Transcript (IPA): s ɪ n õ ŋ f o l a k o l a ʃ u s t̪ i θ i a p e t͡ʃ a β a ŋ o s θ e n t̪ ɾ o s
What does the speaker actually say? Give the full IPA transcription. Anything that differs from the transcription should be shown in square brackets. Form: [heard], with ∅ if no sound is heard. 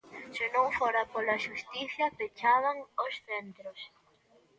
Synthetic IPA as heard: s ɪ n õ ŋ f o [ɾ] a [p] o l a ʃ u s t̪ i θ [j] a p e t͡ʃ a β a ŋ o s θ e n t̪ ɾ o s

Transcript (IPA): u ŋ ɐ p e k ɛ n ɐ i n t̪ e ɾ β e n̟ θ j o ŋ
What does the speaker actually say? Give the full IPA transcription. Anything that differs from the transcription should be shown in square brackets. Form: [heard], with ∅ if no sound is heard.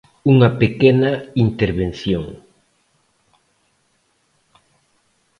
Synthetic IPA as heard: u ŋ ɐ p e k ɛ n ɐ i n t̪ e ɾ β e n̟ θ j o ŋ

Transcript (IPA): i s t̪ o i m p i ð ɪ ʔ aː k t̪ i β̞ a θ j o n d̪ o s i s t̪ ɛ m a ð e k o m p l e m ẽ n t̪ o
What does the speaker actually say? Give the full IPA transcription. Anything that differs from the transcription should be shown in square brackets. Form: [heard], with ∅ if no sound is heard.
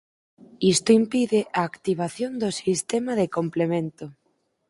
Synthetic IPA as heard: i s t̪ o i m p i ð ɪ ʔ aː k t̪ i β̞ a θ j o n d̪ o s i s t̪ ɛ m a ð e k o m p l e m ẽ n t̪ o

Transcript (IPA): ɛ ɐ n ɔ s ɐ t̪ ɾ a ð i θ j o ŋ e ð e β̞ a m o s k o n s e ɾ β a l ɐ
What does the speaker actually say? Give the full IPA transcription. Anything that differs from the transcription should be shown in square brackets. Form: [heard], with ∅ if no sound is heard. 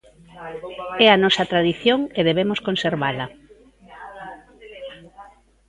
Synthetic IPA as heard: ɛ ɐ n ɔ s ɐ t̪ ɾ a ð i θ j o ŋ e ð e β̞ [e] m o s k o n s e ɾ β a l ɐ

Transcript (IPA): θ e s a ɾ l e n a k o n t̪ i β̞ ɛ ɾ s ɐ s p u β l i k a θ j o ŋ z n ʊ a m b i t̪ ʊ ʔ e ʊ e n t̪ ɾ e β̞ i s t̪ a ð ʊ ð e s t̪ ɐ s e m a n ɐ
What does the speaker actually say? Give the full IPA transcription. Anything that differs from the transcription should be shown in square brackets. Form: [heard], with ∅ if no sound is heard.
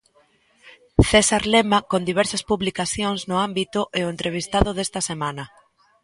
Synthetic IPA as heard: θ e s a ɾ l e [m] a k o n [d̪] i β̞ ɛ ɾ s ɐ s p u β l i k a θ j o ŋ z n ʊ a m b i t̪ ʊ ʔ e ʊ e n t̪ ɾ e β̞ i s t̪ a ð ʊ ð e s t̪ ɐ s e m a n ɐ

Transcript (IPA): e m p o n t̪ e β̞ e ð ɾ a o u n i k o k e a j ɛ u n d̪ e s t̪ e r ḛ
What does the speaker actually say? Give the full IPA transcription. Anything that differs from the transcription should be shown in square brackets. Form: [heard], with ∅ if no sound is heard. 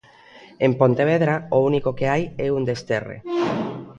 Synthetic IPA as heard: e m p o n t̪ e β̞ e ð ɾ a o u n i k o k e a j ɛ u n d̪ e s t̪ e r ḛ

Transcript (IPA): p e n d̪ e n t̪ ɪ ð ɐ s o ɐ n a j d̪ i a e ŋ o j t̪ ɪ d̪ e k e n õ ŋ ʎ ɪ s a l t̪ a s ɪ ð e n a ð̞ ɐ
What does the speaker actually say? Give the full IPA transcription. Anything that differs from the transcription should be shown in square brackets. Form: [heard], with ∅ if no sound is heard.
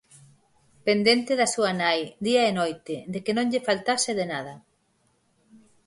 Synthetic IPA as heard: p e n d̪ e n t̪ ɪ ð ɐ s [u] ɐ n a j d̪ i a e [n] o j t̪ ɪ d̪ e k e n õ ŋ ʎ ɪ [f] a l t̪ a s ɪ ð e n a ð̞ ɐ

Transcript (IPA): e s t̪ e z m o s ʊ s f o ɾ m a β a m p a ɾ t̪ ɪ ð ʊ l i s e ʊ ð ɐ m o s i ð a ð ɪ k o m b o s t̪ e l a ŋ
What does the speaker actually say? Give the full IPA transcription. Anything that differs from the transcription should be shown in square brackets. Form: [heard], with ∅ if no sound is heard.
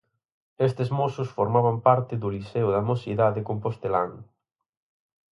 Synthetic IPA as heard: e s t̪ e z m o s ʊ s f o ɾ m a β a m p a ɾ t̪ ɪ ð ʊ l i s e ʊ ð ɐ m o s i ð a ð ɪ k o m [p] o s t̪ e l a ŋ

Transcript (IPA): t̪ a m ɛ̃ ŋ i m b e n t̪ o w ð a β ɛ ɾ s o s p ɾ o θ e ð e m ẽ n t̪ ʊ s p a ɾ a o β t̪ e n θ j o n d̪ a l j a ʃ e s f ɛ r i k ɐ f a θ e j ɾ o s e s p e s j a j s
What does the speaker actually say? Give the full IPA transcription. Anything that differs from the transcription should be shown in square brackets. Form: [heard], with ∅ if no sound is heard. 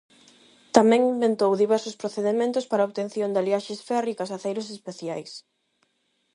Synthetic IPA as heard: t̪ a m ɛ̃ ŋ i m b e n t̪ o w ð [i] β ɛ ɾ s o s p ɾ o θ e ð e m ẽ n t̪ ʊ s p a ɾ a o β t̪ e n θ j o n d̪ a l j a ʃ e s f ɛ r i k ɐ [s] a θ e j ɾ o s e s p e [θ] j a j s

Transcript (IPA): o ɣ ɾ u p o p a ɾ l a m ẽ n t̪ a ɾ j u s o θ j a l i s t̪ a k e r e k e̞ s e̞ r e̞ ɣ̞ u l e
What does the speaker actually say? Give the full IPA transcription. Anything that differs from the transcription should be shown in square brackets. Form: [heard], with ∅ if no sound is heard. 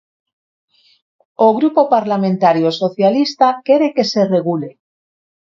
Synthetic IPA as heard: o ɣ ɾ u p o p a ɾ l a m ẽ n t̪ a ɾ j [o] s o θ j a l i s t̪ a k e [ɾ] e k e̞ s e̞ r e̞ ɣ̞ u l e

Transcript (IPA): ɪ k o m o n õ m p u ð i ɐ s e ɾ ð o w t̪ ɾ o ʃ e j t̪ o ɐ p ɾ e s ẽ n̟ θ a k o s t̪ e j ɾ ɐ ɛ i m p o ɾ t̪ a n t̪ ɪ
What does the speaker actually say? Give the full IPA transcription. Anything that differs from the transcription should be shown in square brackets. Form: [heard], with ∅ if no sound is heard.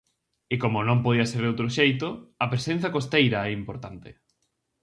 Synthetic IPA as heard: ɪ k o m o n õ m p [o] ð i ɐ s e ɾ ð o w t̪ ɾ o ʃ e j t̪ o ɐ p ɾ e s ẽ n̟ θ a k o s t̪ e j ɾ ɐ ɛ i m p o ɾ t̪ a n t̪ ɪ

